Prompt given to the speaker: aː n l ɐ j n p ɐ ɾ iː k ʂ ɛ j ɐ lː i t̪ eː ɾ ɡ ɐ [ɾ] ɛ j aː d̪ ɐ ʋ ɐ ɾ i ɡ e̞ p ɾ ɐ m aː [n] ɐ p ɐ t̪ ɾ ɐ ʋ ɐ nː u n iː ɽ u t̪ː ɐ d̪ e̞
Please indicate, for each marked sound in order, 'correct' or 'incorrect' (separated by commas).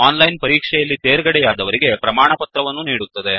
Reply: incorrect, incorrect